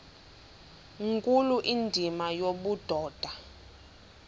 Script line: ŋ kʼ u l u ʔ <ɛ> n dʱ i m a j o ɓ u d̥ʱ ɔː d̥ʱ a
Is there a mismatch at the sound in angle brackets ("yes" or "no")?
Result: yes